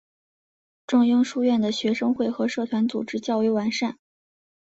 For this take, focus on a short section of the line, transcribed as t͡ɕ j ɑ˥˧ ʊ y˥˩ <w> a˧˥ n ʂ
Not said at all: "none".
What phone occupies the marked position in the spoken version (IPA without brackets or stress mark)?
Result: w